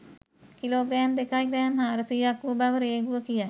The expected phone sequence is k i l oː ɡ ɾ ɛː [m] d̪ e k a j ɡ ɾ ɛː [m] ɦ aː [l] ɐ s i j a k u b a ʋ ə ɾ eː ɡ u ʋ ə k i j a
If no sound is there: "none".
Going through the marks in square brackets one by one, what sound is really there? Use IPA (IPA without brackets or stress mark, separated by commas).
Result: m, m, ɾ